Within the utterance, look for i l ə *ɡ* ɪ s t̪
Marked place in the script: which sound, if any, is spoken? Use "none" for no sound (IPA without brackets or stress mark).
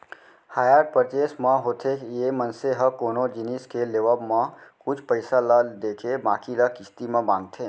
k